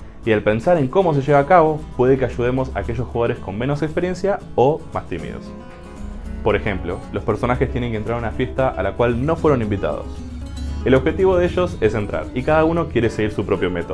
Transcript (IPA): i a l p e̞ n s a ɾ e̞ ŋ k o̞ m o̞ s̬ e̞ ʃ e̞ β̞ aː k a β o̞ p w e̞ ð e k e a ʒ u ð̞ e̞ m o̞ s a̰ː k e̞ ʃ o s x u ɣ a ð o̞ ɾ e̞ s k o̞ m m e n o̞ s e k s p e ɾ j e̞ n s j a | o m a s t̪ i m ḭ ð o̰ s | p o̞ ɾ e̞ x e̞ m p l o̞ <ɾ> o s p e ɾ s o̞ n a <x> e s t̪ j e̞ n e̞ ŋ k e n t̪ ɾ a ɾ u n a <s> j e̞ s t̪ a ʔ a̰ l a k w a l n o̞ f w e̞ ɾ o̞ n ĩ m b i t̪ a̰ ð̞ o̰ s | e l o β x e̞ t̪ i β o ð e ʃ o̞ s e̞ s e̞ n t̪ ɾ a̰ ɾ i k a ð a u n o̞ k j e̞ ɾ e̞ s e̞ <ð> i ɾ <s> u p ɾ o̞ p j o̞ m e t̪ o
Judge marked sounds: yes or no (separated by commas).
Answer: no, yes, no, no, yes